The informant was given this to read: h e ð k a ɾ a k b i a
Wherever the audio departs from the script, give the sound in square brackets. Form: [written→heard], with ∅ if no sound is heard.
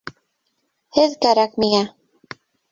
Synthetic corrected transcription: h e ð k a ɾ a k [b→m] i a